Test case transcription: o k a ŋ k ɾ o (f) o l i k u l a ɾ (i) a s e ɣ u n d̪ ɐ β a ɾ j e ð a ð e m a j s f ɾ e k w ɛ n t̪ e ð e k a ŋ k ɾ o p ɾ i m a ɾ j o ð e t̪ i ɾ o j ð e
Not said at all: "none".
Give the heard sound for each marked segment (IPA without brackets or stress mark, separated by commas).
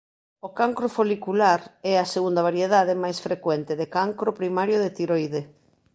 f, ɛ